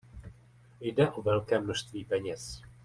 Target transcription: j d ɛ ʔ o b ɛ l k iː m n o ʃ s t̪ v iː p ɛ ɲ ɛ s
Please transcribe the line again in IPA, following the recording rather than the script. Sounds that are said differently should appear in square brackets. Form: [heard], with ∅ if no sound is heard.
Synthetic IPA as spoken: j d ɛ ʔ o [v] ɛ l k [ɛː] m n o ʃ s t̪ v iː p ɛ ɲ ɛ s